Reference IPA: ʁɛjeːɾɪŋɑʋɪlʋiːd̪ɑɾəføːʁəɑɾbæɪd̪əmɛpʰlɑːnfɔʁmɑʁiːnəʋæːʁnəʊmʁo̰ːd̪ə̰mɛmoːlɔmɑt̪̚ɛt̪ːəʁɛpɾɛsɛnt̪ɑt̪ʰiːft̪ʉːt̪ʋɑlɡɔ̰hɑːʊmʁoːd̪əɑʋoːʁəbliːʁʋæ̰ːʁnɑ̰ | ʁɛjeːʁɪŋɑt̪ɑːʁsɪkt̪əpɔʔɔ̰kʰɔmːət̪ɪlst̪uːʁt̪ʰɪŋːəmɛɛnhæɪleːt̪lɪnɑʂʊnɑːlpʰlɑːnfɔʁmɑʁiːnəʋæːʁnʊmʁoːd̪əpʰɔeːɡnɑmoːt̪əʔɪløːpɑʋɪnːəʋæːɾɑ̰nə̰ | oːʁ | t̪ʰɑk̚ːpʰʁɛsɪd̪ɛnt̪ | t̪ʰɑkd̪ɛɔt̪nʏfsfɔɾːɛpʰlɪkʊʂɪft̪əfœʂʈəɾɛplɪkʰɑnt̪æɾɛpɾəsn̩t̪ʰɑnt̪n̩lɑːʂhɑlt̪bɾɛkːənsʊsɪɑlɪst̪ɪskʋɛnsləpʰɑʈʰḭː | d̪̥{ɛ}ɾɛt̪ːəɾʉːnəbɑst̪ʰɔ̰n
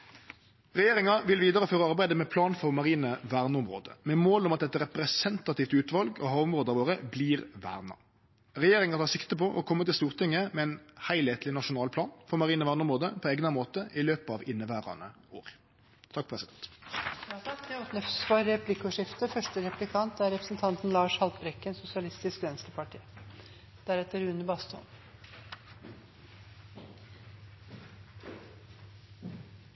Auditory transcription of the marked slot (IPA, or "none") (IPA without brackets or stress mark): æ